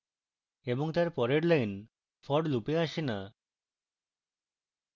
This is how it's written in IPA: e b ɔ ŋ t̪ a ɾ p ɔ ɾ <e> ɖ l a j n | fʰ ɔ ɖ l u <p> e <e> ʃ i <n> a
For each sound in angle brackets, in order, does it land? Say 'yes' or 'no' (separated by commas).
yes, yes, no, yes